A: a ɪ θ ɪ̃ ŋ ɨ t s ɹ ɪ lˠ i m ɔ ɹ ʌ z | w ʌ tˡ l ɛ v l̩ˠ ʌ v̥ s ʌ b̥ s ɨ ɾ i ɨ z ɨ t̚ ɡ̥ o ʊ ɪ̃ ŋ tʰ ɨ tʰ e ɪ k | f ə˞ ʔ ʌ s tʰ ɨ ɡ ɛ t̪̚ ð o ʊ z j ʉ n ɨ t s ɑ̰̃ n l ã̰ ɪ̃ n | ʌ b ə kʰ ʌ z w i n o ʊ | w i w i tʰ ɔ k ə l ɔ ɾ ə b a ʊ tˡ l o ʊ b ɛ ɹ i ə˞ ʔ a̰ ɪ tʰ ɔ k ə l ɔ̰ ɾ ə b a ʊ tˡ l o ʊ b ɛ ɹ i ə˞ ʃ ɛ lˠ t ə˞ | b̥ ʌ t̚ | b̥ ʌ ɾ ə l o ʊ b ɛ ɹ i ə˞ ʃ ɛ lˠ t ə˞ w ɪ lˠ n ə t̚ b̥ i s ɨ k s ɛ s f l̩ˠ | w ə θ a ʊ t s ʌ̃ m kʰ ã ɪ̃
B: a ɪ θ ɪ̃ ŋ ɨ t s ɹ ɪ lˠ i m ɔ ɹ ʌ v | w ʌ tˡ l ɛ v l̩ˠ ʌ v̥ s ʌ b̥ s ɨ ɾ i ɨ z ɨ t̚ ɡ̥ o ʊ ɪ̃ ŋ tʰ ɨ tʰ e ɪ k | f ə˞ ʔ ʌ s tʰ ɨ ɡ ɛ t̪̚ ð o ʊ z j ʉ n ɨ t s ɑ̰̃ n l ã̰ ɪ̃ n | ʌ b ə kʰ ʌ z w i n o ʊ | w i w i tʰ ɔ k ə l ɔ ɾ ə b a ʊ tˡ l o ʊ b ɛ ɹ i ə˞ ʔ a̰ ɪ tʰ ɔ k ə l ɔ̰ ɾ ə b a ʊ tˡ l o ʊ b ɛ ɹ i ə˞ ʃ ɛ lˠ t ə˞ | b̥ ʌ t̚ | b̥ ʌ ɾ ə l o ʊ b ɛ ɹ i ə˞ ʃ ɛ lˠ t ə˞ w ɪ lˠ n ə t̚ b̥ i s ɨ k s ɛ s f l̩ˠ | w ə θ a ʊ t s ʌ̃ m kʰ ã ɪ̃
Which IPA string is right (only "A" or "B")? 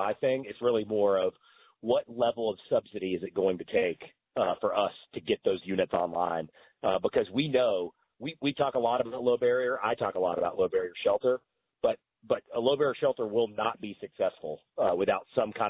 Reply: B